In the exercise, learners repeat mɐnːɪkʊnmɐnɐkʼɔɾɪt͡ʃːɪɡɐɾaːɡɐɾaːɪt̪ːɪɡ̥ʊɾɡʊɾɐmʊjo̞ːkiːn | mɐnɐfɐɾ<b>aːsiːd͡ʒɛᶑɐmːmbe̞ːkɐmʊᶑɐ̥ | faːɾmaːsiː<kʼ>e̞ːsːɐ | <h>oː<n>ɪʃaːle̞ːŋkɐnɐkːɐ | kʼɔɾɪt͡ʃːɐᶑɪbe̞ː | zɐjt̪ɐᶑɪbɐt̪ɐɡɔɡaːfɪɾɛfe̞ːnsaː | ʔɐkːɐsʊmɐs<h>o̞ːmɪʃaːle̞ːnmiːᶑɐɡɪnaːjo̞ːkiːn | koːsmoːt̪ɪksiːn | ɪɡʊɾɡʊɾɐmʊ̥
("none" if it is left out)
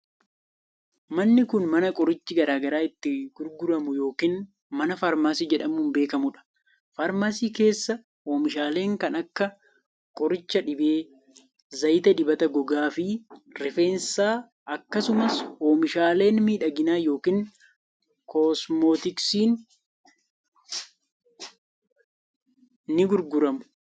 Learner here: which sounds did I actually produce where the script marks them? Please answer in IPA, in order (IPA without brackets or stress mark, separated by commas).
m, k, h, m, h